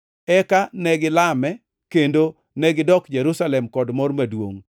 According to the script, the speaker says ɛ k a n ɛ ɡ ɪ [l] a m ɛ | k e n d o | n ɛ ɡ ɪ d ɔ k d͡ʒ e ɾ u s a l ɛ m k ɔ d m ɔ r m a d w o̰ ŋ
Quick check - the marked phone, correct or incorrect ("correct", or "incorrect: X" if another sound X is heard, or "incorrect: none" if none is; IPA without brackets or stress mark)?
correct